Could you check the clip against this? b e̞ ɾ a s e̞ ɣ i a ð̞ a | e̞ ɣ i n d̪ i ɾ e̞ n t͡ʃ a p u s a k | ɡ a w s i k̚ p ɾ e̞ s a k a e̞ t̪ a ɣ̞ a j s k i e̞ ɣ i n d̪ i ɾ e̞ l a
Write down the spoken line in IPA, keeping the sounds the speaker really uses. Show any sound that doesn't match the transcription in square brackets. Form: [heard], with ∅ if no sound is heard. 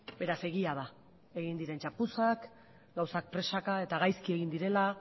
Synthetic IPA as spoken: b e̞ ɾ a s e̞ ɣ i a ð̞ a | e̞ ɣ i n d̪ i ɾ e̞ n t͡ʃ a p u s a k | ɡ a w s [a] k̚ p ɾ e̞ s a k a e̞ t̪ a ɣ̞ a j s k i e̞ ɣ i n d̪ i ɾ e̞ l a

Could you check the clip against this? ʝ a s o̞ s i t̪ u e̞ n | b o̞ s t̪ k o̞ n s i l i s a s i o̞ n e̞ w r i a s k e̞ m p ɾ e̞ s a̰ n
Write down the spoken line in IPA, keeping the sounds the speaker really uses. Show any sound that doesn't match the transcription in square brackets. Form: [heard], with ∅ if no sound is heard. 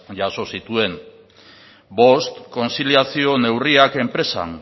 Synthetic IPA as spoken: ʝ a s o̞ s i t̪ u e̞ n | b o̞ s t̪ k o̞ n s i l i [∅] a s i o̞ n e̞ w r i a [∅] k e̞ m p ɾ e̞ s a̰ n

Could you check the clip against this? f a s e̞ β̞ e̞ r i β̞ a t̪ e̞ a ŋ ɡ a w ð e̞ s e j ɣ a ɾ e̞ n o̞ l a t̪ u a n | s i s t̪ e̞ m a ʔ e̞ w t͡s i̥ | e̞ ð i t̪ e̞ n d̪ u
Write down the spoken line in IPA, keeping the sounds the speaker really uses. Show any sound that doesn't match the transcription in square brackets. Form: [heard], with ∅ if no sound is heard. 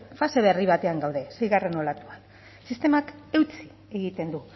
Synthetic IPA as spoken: f a s e̞ β̞ e̞ r i β̞ a t̪ e̞ a ŋ ɡ a w ð e̞ s e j ɣ a [r] e̞ n o̞ l a t̪ u a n | s i s t̪ e̞ m a [k] e̞ w t͡s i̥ | e̞ [ɣ] i t̪ e̞ n d̪ u

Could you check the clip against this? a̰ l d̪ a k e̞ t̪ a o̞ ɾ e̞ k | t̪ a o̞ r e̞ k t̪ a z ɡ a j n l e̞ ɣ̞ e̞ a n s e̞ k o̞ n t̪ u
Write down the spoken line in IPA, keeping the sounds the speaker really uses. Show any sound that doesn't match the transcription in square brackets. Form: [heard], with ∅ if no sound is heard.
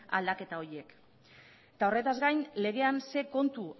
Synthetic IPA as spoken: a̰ l d̪ a k e̞ t̪ a o̞ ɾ e̞ k | t̪ a o̞ r e̞ [∅] t̪ a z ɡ a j n l e̞ ɣ̞ e̞ a n s e̞ k o̞ n t̪ u

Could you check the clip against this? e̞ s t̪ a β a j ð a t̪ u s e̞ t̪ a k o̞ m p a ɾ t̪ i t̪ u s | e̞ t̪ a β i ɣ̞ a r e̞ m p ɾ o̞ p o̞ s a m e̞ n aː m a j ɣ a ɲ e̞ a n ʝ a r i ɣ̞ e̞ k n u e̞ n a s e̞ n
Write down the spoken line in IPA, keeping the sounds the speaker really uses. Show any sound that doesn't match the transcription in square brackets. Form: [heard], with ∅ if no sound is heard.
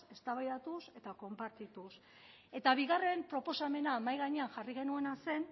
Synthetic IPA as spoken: e̞ s t̪ a β a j ð a t̪ u s e̞ t̪ a k o̞ m p a ɾ t̪ i t̪ u s | e̞ t̪ a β i ɣ̞ a r e̞ m p ɾ o̞ p o̞ s a m e̞ n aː m a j ɣ a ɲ e̞ a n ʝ a r i ɣ̞ e̞ [∅] n u e̞ n a s e̞ n

